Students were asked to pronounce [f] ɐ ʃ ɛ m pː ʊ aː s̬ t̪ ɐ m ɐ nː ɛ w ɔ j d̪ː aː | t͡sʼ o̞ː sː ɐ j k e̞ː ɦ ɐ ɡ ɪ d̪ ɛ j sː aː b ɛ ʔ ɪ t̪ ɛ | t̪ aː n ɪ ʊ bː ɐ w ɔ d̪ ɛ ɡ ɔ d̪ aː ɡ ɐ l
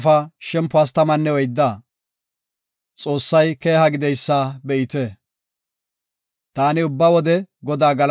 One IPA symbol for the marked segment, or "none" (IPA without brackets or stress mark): f